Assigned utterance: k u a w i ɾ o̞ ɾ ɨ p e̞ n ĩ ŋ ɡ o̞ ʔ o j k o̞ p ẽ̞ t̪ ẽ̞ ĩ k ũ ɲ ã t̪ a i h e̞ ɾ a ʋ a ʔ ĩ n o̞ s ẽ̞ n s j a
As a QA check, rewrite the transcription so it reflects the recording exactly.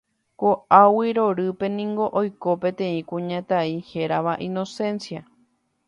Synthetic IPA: k o a w i ɾ o̞ ɾ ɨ p e̞ n ĩ ŋ ɡ o̞ ʔ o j k o̞ p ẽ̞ t̪ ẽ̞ ĩ k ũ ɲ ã t̪ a i h e̞ ɾ a ʋ a ʔ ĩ n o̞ s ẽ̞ n s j a